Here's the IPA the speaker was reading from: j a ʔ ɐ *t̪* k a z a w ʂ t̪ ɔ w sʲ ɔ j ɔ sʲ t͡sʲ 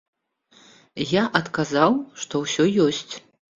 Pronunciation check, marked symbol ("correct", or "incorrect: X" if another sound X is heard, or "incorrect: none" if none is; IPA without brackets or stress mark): correct